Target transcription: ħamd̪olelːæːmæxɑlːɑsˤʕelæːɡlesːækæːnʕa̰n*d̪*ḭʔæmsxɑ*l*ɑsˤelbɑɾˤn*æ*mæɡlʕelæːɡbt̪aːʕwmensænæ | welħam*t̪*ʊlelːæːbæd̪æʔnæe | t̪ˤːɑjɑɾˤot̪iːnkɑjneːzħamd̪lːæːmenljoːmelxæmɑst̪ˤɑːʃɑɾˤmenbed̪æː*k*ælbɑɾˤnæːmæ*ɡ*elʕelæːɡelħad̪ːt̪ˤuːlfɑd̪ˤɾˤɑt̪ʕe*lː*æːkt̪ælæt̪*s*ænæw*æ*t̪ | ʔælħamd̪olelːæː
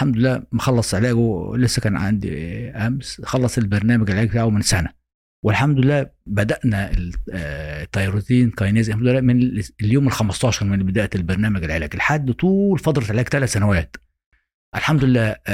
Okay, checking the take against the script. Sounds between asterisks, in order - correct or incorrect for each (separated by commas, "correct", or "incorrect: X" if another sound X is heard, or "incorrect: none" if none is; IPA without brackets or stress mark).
correct, incorrect: lː, incorrect: æː, incorrect: d̪, incorrect: ʔ, correct, incorrect: l, correct, incorrect: æː